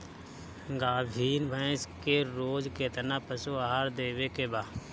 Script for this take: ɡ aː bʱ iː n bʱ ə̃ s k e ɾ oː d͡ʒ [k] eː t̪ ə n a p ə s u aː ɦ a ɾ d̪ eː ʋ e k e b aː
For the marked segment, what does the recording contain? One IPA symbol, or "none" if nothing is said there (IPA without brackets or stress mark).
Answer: k